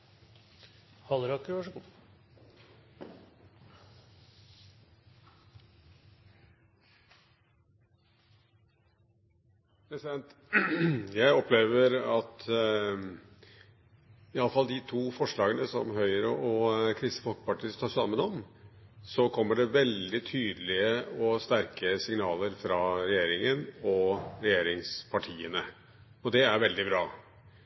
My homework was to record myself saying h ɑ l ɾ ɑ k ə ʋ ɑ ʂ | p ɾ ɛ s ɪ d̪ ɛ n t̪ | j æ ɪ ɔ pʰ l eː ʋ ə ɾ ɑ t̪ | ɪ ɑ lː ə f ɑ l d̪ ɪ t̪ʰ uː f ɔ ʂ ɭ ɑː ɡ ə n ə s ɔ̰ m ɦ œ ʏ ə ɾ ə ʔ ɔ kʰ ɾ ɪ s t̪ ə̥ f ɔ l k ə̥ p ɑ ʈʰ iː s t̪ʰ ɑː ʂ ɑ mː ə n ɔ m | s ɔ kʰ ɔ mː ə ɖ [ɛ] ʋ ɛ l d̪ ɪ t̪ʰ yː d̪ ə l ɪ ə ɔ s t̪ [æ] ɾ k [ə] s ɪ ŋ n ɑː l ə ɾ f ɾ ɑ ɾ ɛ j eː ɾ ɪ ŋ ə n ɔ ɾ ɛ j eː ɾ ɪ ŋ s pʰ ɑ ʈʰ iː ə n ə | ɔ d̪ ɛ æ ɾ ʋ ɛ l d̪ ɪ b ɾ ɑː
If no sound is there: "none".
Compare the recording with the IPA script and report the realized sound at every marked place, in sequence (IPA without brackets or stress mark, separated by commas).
ɛ, æ, ə